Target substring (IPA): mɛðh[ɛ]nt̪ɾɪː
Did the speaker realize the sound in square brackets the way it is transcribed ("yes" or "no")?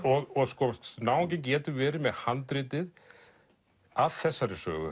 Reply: no